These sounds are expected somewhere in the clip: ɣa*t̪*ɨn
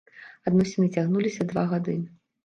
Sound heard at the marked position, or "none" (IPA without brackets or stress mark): d̪